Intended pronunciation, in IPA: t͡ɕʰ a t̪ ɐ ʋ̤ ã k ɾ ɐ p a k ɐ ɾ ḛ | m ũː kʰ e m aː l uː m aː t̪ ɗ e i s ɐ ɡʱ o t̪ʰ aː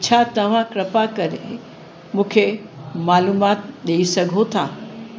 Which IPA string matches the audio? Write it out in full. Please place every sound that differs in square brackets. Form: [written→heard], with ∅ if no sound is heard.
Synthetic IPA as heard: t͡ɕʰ a t̪ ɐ ʋ̤ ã k ɾ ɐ p a k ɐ ɾ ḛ | m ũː kʰ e m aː l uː m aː t̪ ɗ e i s ɐ ɡʱ o t̪ʰ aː